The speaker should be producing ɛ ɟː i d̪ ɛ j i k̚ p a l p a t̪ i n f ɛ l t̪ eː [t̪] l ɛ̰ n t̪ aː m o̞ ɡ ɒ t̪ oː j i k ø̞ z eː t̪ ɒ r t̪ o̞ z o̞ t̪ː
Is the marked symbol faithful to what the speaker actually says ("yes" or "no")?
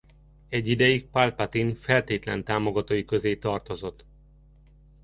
yes